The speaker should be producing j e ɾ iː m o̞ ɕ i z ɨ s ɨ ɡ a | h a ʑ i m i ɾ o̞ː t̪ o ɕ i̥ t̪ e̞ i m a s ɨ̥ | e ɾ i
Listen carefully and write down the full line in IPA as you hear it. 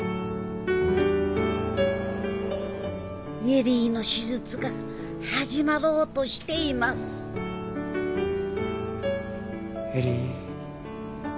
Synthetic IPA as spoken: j e ɾ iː n o̞ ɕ i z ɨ t͡s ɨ ɡ a | h a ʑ i m a ɾ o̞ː t̪ o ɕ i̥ t̪ e̞ i m a s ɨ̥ | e ɾ i

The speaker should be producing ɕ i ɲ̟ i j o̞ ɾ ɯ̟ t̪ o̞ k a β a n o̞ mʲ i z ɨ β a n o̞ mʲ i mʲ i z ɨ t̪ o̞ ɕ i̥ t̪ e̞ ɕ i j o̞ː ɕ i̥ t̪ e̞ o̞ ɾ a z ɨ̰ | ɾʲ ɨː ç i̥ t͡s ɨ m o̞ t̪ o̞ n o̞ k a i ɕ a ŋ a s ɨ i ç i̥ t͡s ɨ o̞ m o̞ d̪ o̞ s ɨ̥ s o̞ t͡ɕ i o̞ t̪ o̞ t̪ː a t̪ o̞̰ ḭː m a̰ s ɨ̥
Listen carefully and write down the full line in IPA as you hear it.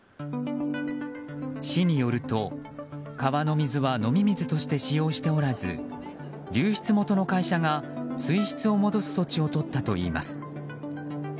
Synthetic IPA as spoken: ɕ i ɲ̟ i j o̞ ɾ ɯ̟ t̪ o̞ k a β a n o̞ mʲ i z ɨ β a n o̞ mʲ i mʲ i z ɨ t̪ o̞ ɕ i̥ t̪ e̞ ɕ i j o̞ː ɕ i̥ t̪ e̞ o̞ ɾ a z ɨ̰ | ɾʲ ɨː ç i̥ t͡s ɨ m o̞ t̪ o̞ n o̞ k a i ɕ a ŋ a s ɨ i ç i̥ t͡s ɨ o̞ m o̞ d̪ o̞ s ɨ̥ s o̞ t͡ɕ i o̞ t̪ o̞ t̪ː a t̪ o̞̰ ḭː m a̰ s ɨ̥

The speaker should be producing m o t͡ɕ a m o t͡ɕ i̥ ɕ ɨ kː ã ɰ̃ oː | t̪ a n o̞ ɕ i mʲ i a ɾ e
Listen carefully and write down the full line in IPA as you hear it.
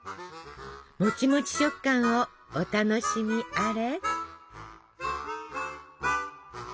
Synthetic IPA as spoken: m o t͡ɕ i m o t͡ɕ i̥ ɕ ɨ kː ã ɰ̃ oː | t̪ a n o̞ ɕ i mʲ i a ɾ e

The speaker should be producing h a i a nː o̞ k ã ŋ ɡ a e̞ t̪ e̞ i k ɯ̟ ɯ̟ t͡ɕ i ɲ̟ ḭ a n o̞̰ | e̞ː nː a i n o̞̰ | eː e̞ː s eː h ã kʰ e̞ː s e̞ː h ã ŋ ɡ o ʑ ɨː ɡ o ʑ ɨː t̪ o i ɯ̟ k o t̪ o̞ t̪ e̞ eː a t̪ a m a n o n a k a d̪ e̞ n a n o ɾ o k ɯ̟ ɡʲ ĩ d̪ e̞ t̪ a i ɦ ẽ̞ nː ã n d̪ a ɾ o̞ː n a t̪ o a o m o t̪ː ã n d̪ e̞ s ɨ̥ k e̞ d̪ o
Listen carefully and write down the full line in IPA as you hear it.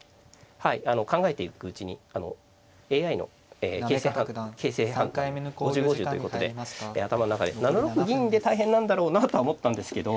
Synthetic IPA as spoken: h a i a n o̞ k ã ŋ ɡ a e̞ t̪ e̞ i k ɯ̟ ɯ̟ t͡ɕ i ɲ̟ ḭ a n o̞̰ | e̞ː a i n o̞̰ | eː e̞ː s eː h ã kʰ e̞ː s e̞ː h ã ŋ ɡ o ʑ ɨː ɡ o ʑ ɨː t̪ o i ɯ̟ k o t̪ o̞ d̪ e̞ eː a t̪ a m a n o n a k a d̪ e̞ n a n o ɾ o k ɯ̟ ɡʲ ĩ d̪ e̞ t̪ a i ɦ ẽ̞ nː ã n d̪ a ɾ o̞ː n a t̪ o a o m o t̪ː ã n d̪ e̞ s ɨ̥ k e̞ d̪ o

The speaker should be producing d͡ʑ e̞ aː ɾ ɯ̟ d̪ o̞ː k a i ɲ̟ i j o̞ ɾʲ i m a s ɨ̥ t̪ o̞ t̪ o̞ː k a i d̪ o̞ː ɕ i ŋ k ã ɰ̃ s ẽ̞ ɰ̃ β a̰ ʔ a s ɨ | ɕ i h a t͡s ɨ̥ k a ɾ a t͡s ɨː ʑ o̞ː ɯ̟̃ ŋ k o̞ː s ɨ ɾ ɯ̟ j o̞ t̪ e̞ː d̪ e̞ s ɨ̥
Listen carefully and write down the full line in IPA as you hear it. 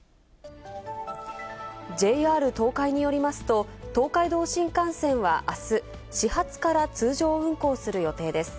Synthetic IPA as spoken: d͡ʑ e̞ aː ɾ ɯ̟ t̪ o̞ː k a i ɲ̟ i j o̞ ɾʲ i m a s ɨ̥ t̪ o̞ t̪ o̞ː k a i d̪ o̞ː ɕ ĩ ŋ k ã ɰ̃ s ẽ̞ ɰ̃ β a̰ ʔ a s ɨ | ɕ i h a t͡s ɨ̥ k a ɾ a t͡s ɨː ʑ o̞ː ɯ̟̃ ŋ k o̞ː s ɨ ɾ ɯ̟ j o̞ t̪ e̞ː d̪ e̞ s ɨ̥

